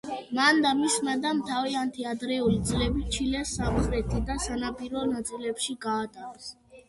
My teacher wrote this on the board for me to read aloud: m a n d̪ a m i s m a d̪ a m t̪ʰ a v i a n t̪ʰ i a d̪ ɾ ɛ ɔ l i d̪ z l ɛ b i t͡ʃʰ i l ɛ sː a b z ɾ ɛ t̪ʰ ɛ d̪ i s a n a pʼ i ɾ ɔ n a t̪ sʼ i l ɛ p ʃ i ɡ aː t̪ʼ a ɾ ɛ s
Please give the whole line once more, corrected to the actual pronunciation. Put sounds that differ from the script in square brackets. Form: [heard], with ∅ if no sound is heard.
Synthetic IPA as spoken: m a n d̪ a m i s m a d̪ a m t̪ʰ a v i a n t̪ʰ i a d̪ ɾ ɛ [u] l i d̪ z l ɛ b i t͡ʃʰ i l ɛ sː a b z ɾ ɛ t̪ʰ [i] d̪ [a] s a n a pʼ i ɾ ɔ n a t̪ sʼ i l ɛ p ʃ i ɡ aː t̪ʼ a ɾ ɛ s